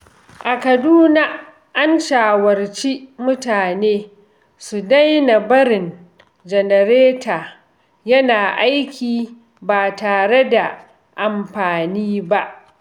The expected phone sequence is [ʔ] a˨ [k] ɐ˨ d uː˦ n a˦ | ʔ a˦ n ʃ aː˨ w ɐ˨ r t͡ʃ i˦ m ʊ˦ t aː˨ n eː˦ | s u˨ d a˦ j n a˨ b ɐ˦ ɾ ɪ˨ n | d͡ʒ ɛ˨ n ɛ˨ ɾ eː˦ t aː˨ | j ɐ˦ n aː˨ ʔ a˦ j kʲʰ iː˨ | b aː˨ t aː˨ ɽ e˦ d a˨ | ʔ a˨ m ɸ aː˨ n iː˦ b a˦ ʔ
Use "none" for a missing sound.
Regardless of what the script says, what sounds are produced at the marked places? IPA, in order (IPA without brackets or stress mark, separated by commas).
ʔ, k